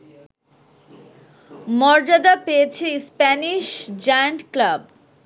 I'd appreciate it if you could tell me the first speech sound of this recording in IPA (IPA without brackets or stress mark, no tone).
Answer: m